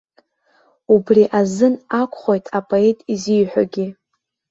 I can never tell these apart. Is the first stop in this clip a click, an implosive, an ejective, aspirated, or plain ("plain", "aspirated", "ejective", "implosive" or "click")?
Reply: plain